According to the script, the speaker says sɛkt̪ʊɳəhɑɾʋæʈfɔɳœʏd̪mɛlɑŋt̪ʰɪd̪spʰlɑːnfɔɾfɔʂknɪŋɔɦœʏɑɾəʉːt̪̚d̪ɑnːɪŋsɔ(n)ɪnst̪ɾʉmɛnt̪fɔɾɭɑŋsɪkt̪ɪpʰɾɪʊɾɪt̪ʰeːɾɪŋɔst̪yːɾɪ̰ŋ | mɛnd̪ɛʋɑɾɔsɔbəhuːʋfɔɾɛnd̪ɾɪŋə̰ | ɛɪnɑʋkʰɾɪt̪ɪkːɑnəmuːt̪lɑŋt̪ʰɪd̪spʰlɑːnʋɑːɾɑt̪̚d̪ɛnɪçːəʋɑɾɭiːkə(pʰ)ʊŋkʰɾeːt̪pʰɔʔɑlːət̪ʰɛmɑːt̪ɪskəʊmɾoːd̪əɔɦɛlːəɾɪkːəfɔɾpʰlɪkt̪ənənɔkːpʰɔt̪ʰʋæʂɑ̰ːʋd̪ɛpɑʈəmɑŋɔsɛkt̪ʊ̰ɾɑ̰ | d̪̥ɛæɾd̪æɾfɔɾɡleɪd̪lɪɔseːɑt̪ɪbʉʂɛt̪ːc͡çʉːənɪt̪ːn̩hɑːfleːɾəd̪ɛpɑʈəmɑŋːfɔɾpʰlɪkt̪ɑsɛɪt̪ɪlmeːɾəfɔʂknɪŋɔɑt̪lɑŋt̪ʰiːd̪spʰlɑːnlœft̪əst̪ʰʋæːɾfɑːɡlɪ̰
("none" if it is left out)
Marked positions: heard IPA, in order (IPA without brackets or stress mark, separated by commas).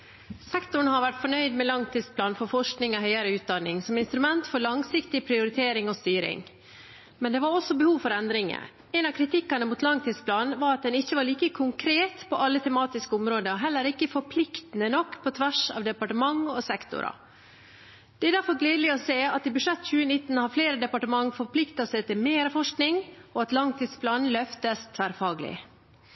m, kʰ